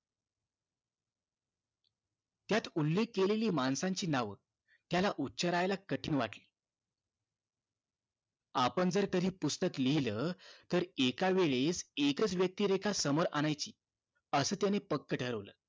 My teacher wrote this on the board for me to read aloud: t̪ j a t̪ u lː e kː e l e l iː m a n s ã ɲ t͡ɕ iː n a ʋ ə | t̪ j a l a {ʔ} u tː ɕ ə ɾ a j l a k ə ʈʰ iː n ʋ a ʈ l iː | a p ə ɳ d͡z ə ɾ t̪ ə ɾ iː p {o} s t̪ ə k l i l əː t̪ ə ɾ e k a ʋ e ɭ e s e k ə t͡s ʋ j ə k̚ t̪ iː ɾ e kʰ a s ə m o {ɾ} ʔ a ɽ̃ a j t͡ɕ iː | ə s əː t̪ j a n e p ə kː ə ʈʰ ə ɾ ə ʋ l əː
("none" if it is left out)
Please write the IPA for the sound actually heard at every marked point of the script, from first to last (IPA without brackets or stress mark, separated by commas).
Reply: ʔ, u, ɾ